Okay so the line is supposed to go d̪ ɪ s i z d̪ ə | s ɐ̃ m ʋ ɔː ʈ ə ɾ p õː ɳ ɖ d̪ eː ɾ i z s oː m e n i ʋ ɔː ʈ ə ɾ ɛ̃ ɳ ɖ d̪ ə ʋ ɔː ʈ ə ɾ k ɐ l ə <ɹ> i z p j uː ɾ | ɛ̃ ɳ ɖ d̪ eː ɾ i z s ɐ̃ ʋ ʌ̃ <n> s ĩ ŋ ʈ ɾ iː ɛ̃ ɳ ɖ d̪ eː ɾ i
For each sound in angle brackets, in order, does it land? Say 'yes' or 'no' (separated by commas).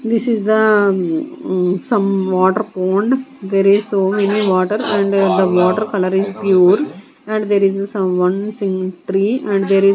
no, yes